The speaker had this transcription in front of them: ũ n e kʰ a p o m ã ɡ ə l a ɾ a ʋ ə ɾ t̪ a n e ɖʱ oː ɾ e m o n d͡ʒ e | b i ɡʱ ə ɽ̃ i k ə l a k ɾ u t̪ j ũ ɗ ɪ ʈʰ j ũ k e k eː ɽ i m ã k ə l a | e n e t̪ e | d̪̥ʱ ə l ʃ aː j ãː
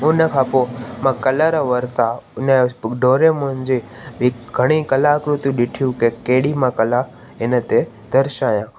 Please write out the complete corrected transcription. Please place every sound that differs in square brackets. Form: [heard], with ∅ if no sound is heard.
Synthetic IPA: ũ n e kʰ a p o m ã [k] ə l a ɾ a ʋ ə ɾ t̪ a n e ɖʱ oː ɾ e m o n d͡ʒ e | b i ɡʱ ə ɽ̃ i k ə l a k ɾ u t̪ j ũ ɗ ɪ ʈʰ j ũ k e k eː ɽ i m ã k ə l a | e n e t̪ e | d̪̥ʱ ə [ɾ] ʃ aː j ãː